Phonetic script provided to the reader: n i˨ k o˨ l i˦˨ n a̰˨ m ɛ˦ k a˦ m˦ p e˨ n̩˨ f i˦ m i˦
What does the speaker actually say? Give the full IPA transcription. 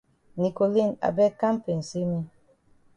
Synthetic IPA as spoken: n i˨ k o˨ l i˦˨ n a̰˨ b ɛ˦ k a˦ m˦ p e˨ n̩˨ s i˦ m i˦